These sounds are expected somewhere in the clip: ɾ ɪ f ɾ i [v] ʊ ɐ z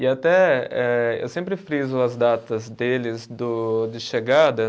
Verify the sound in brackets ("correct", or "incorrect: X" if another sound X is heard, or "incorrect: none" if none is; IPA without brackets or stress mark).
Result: incorrect: z